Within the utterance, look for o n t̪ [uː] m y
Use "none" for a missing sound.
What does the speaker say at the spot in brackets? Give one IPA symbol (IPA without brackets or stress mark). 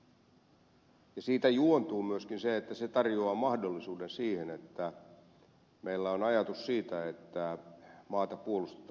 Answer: uː